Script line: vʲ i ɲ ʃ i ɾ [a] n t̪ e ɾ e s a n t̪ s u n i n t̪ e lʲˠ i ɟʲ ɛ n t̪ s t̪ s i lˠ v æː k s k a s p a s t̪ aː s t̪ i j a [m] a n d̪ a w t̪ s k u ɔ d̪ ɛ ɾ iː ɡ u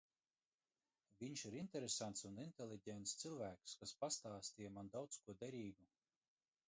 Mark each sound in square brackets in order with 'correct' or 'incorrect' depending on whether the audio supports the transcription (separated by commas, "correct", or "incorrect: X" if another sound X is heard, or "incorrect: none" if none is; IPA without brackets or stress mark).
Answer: incorrect: i, correct